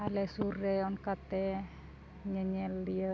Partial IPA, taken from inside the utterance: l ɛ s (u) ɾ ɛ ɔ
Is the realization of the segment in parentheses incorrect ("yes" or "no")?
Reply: no